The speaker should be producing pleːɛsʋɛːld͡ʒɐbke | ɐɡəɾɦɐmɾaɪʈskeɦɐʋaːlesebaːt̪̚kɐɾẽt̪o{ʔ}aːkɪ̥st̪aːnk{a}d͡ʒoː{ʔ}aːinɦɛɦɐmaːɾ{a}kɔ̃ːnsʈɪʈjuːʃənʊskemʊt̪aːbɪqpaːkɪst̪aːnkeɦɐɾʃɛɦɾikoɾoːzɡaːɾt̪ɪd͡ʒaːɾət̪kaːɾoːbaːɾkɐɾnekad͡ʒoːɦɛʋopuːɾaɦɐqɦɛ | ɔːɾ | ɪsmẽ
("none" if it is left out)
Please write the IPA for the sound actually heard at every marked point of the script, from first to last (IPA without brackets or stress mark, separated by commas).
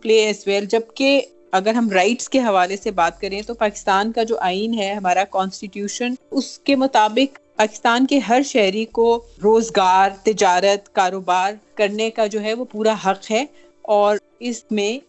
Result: p, a, ʔ, a